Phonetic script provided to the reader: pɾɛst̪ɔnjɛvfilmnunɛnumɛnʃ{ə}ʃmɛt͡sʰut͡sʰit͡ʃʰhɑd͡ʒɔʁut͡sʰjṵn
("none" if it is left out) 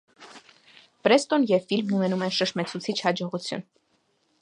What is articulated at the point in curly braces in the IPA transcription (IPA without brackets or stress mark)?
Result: ə